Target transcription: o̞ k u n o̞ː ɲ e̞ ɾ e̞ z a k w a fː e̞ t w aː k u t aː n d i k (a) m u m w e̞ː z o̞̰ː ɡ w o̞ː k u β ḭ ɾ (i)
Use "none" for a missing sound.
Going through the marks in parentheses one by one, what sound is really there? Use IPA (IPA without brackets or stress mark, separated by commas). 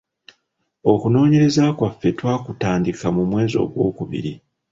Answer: a, i